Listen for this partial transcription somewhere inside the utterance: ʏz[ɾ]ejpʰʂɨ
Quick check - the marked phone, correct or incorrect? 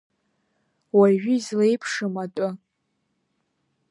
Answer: incorrect